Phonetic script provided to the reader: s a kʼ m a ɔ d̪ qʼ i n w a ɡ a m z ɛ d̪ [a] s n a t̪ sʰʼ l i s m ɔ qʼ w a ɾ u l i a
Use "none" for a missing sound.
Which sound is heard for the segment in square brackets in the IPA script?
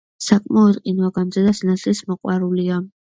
a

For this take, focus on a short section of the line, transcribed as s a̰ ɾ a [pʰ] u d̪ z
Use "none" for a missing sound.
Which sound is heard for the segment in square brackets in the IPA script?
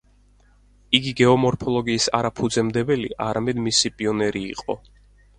pʰ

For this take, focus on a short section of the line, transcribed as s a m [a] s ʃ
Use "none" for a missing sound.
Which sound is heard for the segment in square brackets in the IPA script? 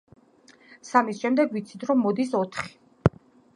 i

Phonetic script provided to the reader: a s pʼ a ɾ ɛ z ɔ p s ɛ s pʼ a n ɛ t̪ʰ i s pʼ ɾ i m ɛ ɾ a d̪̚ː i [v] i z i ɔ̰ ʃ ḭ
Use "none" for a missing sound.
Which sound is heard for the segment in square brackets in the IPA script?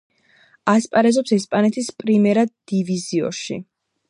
v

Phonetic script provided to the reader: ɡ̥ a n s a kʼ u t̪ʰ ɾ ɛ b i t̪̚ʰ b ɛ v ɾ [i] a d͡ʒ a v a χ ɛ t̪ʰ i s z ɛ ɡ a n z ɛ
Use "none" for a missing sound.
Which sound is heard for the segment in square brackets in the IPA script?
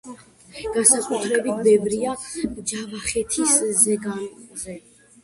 i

